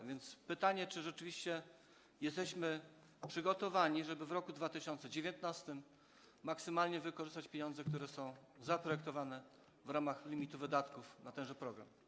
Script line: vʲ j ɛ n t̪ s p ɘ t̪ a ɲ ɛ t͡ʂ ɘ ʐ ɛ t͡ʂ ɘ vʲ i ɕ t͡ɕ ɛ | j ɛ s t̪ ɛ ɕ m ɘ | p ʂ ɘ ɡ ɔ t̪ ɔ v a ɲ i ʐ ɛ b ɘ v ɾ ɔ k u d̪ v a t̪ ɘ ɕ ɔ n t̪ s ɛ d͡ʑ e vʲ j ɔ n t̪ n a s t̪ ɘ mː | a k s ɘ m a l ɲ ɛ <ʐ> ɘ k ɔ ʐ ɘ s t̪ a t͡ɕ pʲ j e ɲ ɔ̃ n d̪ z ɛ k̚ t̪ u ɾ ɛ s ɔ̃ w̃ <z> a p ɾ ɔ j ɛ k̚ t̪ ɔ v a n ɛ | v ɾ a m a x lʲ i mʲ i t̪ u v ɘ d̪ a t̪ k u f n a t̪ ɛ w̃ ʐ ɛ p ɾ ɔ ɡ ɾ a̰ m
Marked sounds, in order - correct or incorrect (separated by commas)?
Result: incorrect, correct